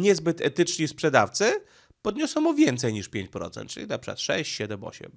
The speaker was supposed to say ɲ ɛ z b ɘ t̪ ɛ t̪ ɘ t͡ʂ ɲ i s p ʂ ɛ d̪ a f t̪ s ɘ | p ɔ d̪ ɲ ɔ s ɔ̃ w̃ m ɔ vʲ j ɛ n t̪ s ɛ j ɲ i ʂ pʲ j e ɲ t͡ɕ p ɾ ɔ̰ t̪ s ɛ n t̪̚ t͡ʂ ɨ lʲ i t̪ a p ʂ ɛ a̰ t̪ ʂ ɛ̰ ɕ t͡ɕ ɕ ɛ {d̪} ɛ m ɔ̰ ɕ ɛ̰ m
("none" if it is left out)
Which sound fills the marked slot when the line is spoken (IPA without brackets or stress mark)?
d̪